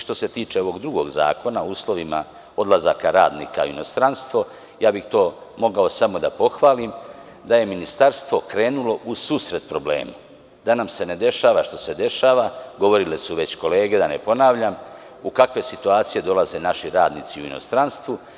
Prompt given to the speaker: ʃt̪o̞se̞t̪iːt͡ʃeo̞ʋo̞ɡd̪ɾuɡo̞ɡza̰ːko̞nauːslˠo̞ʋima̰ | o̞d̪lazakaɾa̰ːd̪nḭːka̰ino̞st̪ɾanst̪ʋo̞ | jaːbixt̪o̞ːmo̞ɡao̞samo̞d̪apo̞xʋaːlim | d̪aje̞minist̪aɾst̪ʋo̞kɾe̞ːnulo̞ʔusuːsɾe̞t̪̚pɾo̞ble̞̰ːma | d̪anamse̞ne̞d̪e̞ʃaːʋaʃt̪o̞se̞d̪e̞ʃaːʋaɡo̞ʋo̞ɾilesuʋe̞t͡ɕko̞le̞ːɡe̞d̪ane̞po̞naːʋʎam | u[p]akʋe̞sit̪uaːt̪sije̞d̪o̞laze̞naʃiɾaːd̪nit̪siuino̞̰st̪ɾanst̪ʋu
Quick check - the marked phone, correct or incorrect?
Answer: incorrect